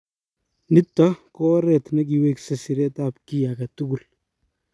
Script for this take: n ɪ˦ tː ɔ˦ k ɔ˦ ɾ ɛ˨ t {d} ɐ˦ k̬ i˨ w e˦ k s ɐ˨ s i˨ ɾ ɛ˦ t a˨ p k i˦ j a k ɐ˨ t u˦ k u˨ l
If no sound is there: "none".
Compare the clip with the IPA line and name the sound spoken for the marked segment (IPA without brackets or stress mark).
n